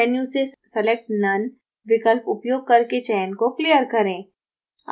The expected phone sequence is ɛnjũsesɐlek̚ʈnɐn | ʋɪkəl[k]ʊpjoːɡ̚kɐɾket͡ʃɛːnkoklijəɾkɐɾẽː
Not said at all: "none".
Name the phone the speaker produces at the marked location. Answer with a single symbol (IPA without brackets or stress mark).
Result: p